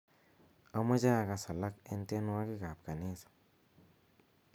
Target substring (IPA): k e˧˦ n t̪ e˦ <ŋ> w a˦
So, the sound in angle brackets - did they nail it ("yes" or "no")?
no